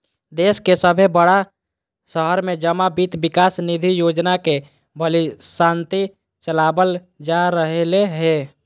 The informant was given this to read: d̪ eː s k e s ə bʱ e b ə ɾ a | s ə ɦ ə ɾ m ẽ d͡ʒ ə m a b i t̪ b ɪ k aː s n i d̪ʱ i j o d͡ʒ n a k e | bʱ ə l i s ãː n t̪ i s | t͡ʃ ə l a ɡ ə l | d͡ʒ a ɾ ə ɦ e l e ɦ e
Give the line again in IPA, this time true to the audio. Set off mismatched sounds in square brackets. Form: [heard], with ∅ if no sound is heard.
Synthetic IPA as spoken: d̪ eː s k e s ə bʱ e b ə [ɽ] a | s ə ɦ ə ɾ m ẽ d͡ʒ ə m a b i t̪ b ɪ k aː s n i d̪ʱ i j o d͡ʒ n a k e | bʱ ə l i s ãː n t̪ i [∅] | t͡ʃ ə l a [b] ə l | d͡ʒ a ɾ ə ɦ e l e ɦ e